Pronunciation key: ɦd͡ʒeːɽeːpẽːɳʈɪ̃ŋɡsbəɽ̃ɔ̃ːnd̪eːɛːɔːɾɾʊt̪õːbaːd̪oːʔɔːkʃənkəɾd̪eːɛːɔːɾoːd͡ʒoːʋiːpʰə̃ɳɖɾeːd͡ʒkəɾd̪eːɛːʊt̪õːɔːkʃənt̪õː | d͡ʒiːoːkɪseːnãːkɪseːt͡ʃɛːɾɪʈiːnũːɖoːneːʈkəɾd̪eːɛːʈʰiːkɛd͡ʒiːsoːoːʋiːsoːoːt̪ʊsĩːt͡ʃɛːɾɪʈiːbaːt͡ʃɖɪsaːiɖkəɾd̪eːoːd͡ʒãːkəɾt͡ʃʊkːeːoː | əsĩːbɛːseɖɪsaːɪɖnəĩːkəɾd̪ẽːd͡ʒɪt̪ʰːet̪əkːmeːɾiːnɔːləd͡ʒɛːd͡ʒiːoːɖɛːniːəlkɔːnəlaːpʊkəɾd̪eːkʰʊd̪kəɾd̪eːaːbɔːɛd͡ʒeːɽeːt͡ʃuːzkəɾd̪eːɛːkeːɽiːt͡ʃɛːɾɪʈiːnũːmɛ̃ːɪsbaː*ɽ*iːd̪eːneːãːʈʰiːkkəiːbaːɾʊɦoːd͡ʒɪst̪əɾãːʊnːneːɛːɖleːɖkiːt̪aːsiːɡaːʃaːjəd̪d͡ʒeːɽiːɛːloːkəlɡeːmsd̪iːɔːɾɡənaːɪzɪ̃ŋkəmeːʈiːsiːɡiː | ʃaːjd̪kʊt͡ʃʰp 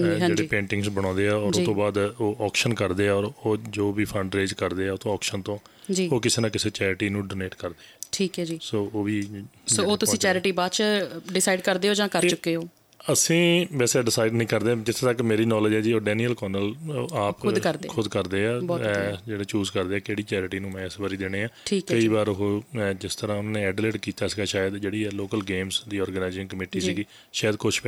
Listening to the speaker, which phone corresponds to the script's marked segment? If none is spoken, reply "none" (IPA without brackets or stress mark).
ɾ